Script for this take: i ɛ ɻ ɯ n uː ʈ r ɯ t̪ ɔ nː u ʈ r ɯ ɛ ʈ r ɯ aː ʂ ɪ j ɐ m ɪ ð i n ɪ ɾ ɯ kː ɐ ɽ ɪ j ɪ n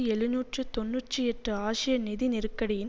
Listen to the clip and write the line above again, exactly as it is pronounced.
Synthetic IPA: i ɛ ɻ ɯ n uː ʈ r ɯ t̪ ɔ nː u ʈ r ɯ ɛ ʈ r ɯ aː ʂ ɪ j ɐ n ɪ ð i n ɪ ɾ ɯ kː ɐ ɽ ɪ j ɪ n

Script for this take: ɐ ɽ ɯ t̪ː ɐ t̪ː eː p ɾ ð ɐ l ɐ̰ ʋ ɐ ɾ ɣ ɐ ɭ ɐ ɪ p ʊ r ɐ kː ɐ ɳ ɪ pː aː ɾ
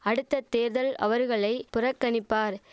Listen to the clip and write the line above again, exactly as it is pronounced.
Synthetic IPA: ɐ ɽ ɯ t̪ː ɐ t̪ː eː ɾ ð ɐ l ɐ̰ ʋ ɐ ɾ ɣ ɐ ɭ ɐ ɪ p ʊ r ɐ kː ɐ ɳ ɪ pː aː ɾ

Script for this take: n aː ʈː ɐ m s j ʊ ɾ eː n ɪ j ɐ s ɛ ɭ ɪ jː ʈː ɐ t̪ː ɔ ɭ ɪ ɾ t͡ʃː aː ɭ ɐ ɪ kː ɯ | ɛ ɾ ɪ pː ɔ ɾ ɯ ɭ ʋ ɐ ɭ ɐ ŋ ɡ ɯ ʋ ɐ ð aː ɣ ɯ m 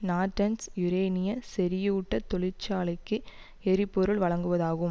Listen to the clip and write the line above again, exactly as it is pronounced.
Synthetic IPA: n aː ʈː ɐ n s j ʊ ɾ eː n ɪ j ɐ s ɛ ɾ ɪ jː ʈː ɐ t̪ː ɔ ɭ ɪ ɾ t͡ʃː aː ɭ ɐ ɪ kː ɯ | ɛ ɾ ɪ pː ɔ ɾ ɯ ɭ ʋ ɐ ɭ ɐ ŋ ɡ ɯ ʋ ɐ ð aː ɣ ɯ m

